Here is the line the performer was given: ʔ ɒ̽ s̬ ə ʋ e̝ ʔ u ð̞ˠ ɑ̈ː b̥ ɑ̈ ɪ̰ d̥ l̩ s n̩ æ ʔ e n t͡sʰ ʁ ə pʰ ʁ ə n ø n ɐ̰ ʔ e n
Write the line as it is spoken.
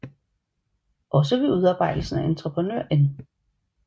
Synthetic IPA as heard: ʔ ɒ̽ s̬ ə ʋ e̝ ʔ u ð̞ˠ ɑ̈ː b̥ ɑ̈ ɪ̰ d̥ l̩ s n̩ æ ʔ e n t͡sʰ ʁ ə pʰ ʁ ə n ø ɐ̰ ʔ e n